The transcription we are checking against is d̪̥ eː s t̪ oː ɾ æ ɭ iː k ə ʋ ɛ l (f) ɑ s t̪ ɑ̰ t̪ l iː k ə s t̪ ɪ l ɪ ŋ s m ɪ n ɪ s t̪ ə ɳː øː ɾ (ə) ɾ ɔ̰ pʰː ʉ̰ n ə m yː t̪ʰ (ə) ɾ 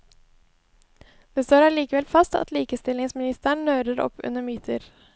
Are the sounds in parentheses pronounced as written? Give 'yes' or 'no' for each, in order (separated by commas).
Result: yes, yes, yes